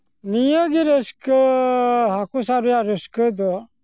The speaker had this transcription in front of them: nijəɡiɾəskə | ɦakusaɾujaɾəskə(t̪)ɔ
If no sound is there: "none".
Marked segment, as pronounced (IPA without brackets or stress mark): d̪